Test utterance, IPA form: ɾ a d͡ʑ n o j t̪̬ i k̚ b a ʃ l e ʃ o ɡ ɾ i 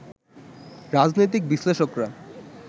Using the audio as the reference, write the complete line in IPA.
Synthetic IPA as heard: ɾ a d͡ʑ n o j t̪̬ i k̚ b i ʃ l e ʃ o k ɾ a

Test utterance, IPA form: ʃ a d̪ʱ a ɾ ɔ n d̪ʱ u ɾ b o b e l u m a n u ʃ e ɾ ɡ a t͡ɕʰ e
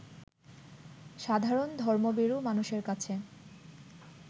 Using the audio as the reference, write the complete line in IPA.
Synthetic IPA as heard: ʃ a d̪ʱ a ɾ o n d̪ʱ ɔ ɾ m o b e ɾ u m a n u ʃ e ɾ k a t͡ɕʰ e

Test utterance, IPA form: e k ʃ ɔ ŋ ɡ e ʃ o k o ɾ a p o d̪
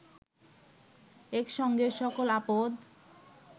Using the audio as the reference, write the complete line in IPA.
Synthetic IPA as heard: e k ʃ ɔ ŋ ɡ e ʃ ɔ k o l a p o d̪

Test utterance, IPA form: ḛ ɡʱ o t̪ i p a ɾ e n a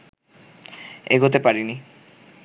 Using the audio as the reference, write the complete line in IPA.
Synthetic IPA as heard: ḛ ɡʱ o t̪ e p a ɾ i n i

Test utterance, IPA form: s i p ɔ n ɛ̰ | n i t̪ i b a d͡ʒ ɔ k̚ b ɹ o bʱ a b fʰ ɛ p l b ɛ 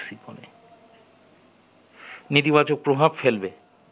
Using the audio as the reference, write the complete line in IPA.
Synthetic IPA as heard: s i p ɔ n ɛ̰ | n i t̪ i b a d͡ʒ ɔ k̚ p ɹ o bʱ a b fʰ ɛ l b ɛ

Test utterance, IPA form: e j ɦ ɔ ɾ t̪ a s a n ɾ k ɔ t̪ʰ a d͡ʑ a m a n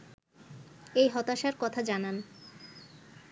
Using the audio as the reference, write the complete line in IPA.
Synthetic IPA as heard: e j ɦ ɔ t̪ a ʃ a ɾ k ɔ t̪ʰ a d͡ʑ a n a n

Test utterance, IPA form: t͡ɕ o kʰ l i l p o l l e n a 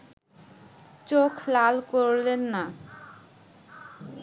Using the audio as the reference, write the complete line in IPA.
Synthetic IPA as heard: t͡ɕ o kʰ l a l k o ɾ l e nː a

